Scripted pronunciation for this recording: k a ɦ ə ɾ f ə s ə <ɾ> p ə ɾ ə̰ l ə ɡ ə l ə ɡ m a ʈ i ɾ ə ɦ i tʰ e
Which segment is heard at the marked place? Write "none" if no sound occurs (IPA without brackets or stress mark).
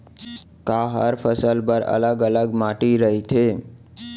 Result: l